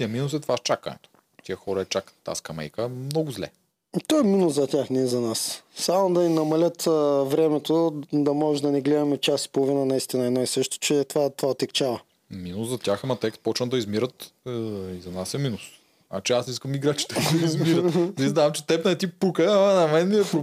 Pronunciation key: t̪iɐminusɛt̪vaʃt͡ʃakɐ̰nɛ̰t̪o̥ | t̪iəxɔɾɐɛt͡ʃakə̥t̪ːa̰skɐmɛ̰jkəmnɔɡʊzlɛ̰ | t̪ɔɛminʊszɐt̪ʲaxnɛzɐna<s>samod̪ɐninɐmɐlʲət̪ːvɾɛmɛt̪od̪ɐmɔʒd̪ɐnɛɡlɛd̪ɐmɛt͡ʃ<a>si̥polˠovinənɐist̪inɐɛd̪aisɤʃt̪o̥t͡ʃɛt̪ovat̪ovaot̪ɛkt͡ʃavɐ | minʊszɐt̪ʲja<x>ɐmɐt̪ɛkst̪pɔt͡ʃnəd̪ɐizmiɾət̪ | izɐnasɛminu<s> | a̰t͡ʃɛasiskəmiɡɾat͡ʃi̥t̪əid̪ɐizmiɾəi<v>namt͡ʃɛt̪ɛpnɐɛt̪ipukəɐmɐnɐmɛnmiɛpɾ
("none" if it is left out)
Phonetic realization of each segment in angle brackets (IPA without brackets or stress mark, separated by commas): s, a, x, s, z